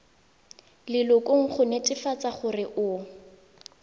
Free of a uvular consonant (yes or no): no